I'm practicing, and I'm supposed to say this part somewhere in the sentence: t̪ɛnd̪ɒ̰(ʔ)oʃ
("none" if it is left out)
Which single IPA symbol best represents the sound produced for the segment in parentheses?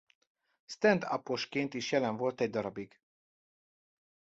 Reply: p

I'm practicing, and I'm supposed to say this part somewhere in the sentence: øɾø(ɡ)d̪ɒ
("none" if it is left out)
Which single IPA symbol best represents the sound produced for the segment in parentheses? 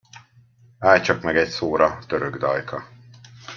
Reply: ɡ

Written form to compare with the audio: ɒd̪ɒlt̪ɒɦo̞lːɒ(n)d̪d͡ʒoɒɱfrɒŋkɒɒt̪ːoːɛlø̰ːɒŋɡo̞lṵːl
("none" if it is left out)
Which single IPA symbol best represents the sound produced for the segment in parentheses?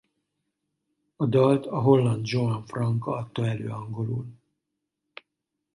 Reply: n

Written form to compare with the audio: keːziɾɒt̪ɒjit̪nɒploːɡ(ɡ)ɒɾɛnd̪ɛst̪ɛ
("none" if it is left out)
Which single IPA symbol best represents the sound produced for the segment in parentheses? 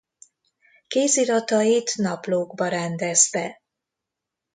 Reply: b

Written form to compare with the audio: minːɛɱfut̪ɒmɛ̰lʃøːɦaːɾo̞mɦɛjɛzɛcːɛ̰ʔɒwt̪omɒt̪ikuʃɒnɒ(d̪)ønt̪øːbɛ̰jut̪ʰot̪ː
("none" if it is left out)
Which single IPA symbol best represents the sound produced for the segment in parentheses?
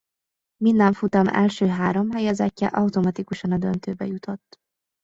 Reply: d̪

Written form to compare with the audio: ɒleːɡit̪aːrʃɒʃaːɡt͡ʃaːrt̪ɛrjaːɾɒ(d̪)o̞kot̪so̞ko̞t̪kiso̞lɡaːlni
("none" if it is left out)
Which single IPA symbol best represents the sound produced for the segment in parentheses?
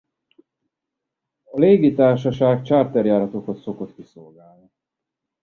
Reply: t̪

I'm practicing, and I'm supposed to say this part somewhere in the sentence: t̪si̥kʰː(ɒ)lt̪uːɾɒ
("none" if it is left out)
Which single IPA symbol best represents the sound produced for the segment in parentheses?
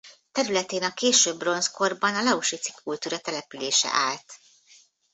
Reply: u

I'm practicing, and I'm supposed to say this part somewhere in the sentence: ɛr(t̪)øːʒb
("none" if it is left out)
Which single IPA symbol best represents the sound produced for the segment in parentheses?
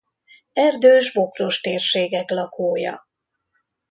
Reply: d̪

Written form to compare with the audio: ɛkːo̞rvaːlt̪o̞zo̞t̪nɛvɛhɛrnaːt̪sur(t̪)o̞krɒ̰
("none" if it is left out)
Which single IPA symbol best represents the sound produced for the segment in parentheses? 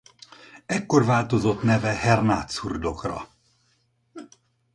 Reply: d̪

